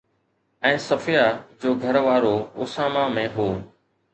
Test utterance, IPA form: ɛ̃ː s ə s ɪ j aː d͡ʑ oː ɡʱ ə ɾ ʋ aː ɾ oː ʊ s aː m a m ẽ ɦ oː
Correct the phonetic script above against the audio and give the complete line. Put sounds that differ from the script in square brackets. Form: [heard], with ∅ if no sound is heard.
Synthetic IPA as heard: ɛ̃ː s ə [f] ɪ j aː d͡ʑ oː ɡʱ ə ɾ ʋ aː ɾ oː ʊ s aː m a m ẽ ɦ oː